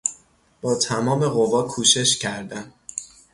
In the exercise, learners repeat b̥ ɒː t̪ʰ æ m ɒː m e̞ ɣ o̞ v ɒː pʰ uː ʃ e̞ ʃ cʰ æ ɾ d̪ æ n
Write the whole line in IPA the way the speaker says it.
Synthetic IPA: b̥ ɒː t̪ʰ æ m ɒː m e̞ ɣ o̞ v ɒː kʰ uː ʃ e̞ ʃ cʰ æ ɾ d̪ æ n